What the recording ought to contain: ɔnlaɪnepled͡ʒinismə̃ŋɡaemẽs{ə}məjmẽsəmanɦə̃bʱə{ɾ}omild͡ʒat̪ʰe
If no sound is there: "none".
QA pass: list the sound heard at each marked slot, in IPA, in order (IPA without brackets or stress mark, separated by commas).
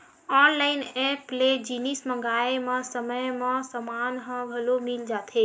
ə, l